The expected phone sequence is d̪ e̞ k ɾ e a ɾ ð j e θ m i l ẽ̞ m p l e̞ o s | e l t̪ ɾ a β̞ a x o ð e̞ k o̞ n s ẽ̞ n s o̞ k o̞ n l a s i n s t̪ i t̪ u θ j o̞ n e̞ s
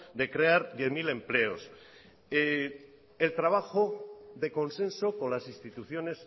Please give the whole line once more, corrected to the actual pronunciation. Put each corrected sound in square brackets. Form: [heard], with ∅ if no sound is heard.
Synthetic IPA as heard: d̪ e̞ k ɾ e a ɾ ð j e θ m i l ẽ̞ m p l e̞ o s | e l t̪ ɾ a β̞ a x o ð e̞ k o̞ n s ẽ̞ n s o̞ k o̞ n l a s i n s t̪ i t̪ u θ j o̞ n e̞ s